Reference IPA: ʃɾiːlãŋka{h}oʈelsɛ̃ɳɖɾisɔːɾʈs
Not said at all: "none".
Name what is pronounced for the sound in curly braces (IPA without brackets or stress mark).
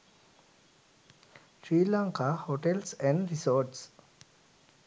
h